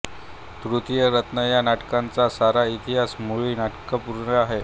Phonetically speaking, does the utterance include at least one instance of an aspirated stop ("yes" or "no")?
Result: no